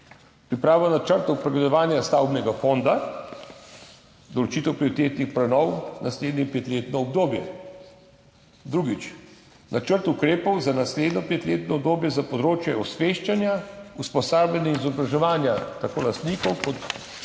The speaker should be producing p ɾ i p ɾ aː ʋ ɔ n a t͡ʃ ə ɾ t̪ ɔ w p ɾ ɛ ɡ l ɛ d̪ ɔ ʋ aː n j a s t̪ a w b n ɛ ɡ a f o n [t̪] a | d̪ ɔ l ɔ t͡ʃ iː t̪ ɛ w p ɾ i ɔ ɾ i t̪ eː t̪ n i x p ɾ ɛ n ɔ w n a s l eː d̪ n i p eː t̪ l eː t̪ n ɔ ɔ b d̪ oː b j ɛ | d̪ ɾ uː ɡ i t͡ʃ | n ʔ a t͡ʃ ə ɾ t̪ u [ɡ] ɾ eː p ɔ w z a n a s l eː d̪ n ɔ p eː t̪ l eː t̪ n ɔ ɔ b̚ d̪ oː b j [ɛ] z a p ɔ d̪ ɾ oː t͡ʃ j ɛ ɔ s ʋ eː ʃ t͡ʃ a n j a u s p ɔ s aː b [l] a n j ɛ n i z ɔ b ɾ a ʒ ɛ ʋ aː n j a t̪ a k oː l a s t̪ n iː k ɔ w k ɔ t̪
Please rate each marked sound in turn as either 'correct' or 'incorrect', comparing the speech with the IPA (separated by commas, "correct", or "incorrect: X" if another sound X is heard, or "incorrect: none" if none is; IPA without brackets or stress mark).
incorrect: d̪, incorrect: k, correct, correct